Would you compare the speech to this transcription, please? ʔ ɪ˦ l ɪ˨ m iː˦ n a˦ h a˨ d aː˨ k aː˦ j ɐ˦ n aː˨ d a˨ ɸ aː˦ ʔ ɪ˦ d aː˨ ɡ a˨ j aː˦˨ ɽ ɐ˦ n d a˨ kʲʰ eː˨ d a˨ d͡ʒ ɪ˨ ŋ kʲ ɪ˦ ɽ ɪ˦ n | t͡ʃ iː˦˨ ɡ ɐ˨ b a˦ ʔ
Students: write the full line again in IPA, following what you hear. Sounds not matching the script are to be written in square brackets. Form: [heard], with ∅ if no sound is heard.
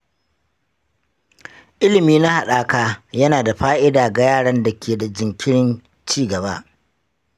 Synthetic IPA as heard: ʔ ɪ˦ l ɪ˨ m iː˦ n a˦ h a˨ [ɗ] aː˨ k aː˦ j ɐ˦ n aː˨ d a˨ ɸ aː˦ ʔ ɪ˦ d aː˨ ɡ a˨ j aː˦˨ ɽ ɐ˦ n d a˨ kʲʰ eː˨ d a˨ d͡ʒ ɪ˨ ŋ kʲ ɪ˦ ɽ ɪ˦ n | t͡ʃ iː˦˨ ɡ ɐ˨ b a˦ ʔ